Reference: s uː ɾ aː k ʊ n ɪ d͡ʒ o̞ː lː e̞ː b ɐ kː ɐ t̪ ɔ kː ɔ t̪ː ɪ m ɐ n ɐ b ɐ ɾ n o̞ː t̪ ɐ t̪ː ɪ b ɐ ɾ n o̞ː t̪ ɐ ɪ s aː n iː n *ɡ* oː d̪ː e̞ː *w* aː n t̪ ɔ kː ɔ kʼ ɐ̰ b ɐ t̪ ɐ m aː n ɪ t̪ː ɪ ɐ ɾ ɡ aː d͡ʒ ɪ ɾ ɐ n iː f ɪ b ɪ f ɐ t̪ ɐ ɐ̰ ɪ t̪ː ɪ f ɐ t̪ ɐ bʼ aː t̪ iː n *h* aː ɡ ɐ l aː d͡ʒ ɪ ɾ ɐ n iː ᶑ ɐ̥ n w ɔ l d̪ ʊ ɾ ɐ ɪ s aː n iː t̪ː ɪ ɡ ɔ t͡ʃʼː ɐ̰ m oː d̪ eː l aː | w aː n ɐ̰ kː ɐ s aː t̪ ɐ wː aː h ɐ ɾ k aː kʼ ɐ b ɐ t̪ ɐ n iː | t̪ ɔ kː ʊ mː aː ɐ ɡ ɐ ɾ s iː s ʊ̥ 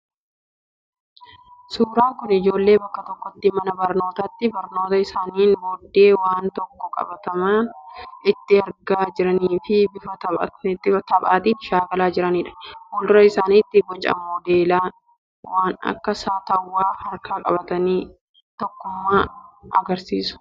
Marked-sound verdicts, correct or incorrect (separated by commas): incorrect, correct, incorrect